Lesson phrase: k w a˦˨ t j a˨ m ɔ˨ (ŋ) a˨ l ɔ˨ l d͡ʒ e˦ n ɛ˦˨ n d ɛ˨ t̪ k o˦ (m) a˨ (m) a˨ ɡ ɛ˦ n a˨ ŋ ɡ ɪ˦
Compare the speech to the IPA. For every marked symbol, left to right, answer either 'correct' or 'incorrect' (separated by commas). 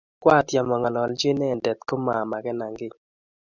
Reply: correct, correct, correct